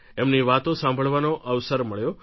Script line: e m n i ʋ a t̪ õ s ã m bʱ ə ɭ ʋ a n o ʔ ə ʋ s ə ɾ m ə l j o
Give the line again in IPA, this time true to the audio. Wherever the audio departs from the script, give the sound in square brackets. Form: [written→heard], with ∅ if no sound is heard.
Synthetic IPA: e m n i ʋ a t̪ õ s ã m bʱ ə ɭ ʋ a n o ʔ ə ʋ s ə ɾ m ə [l→ɭ] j o